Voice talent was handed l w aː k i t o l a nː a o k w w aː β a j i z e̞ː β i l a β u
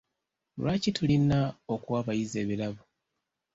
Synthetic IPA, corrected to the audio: l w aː c i t u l i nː a o k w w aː β a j i z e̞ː β i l a β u